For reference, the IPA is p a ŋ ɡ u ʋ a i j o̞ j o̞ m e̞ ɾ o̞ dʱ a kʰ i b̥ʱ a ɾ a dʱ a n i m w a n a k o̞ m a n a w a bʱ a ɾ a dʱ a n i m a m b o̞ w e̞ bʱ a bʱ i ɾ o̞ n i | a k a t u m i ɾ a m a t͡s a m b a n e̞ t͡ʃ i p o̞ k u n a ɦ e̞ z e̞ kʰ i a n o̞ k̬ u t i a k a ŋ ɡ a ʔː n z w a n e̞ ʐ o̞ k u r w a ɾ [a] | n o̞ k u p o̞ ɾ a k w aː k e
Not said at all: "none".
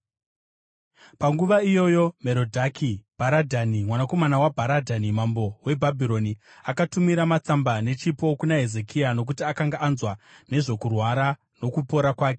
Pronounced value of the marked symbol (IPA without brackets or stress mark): a